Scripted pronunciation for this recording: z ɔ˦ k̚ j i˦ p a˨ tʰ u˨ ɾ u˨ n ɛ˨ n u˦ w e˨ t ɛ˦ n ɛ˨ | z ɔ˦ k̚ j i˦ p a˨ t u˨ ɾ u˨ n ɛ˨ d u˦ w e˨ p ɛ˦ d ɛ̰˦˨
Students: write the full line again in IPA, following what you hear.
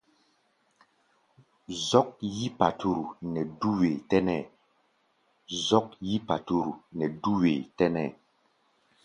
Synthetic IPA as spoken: z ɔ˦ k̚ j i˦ p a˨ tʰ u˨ ɾ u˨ n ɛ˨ d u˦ w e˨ t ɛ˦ n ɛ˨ | z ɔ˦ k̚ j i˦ p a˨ t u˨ ɾ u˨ n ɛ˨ d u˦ w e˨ t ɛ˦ n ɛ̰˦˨